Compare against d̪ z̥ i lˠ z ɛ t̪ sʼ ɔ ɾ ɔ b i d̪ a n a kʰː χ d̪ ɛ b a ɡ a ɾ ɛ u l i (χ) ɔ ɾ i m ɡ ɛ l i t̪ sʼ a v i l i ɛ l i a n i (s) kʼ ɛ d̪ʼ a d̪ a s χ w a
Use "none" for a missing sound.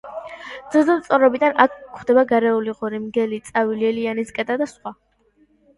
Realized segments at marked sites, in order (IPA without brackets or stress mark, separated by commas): ʁ, s